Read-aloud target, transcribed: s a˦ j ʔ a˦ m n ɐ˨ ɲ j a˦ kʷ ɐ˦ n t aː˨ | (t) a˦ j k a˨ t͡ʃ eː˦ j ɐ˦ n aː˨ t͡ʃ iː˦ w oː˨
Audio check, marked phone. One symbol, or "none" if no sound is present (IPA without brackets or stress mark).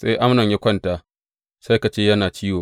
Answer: s